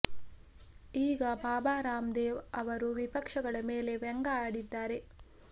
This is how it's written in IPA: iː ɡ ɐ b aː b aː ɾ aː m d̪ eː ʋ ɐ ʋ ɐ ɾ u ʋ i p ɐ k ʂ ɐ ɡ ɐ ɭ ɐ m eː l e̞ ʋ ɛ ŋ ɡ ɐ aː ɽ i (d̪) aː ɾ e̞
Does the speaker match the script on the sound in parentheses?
no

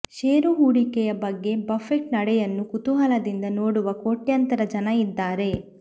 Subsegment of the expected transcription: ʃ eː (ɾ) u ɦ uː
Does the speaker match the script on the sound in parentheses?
yes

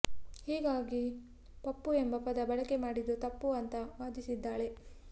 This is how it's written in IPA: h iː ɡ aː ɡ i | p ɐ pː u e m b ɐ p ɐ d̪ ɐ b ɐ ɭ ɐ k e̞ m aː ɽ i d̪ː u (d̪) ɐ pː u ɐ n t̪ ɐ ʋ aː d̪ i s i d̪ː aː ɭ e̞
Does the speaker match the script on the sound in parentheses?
no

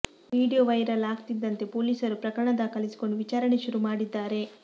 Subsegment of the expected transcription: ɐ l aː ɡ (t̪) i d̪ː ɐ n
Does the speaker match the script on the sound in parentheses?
yes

